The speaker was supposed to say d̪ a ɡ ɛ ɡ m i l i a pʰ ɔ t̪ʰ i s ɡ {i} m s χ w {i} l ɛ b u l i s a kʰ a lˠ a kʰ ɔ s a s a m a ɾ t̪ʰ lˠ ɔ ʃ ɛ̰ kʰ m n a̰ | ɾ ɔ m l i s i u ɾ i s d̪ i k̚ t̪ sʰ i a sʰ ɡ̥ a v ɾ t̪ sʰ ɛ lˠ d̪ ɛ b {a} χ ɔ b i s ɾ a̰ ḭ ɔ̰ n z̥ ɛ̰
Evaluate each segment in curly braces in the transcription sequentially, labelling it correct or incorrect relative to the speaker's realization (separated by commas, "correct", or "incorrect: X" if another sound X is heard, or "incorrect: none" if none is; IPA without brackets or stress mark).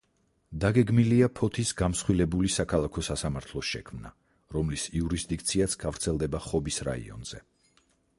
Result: incorrect: a, correct, correct